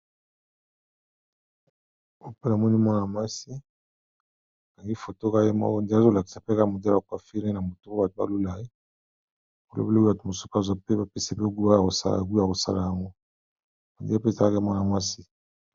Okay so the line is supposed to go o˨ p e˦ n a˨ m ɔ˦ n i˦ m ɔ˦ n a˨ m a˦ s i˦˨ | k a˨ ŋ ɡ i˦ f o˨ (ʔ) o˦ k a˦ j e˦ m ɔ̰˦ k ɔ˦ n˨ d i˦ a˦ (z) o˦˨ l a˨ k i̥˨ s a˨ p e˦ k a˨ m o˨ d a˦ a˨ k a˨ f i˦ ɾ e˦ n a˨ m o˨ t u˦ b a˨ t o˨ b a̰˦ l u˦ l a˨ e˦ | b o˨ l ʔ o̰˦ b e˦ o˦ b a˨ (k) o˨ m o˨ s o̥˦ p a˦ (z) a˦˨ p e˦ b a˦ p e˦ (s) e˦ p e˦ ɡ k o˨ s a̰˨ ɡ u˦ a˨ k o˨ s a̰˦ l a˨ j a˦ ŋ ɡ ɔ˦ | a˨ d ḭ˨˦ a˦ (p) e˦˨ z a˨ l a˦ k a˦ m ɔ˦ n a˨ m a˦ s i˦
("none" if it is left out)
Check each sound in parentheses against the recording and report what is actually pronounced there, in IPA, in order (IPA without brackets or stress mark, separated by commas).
t, z, t, z, s, p